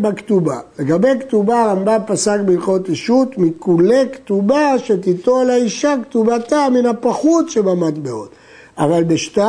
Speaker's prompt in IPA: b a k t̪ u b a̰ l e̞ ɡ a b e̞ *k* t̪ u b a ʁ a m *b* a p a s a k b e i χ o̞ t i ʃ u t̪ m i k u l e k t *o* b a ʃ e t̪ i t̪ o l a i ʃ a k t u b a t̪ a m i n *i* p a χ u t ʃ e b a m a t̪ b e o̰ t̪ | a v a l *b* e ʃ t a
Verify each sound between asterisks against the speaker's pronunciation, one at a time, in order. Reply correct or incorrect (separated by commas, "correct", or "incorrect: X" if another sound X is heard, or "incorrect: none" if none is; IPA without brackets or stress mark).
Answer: correct, correct, incorrect: u, incorrect: a, correct